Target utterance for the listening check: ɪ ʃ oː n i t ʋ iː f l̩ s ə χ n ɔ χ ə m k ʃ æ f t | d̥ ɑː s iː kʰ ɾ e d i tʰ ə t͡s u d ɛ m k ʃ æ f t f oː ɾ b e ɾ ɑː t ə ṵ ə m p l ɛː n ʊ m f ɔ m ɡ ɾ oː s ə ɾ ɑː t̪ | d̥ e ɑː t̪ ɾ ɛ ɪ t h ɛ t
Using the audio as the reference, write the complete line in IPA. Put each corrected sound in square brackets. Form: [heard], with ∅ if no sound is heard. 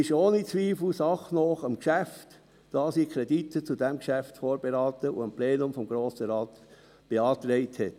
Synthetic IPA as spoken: ɪ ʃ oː n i [t͡s] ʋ iː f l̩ s [ɑ] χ n ɔ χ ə m k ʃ æ f t | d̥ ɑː s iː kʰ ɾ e d i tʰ ə t͡s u d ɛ m k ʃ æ f t f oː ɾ b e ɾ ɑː t ə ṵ ə m p l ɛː n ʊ m f ɔ m ɡ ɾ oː s ə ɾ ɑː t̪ | [b̥] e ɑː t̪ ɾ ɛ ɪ t h ɛ t